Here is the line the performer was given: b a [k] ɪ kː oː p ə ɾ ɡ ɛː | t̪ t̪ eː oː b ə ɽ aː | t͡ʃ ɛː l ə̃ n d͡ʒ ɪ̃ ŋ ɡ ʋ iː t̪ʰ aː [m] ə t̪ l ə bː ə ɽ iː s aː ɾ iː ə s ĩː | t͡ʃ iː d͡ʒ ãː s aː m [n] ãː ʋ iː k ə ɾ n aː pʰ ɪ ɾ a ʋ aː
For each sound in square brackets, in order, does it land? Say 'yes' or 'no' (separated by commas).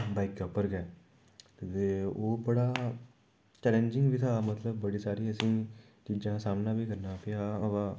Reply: no, yes, yes